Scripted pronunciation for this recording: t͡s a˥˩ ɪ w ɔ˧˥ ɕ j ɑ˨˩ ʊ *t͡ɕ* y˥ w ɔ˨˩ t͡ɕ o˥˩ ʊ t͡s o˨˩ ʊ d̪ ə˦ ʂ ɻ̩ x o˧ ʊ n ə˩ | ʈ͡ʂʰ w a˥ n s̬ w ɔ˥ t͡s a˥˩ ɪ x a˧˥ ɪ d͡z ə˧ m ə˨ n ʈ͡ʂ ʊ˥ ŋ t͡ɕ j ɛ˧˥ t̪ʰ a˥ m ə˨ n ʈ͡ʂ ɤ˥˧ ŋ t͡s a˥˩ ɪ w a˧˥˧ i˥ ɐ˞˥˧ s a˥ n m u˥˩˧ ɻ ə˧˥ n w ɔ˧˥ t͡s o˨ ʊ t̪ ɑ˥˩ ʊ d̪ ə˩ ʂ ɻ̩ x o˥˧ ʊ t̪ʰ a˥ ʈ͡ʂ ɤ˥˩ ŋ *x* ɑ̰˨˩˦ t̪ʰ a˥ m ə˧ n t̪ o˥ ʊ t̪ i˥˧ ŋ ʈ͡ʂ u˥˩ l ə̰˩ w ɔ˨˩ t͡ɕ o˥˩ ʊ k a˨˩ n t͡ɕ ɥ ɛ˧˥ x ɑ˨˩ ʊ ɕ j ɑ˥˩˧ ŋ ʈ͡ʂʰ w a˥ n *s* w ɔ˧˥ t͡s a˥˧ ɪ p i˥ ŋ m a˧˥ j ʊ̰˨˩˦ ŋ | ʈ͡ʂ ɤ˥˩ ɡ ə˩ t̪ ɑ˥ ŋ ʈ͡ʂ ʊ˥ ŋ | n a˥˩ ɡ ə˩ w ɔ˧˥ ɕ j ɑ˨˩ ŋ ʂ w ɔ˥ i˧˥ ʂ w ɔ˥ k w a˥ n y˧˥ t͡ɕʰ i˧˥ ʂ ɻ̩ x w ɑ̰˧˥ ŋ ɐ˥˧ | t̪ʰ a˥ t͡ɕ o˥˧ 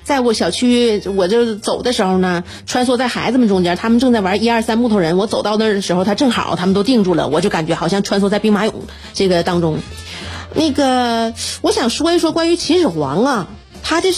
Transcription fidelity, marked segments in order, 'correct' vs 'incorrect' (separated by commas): incorrect, correct, correct